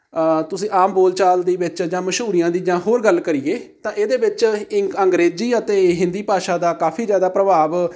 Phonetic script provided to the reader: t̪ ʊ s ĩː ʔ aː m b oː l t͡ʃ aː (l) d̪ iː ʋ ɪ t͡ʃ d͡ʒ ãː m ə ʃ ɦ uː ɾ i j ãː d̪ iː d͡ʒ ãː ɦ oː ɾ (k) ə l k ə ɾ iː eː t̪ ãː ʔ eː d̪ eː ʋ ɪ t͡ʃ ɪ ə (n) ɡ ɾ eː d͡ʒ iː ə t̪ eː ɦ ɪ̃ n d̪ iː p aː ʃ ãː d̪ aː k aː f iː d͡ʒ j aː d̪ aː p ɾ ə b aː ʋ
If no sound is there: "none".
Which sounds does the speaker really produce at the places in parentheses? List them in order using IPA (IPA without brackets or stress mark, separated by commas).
l, ɡ, ŋ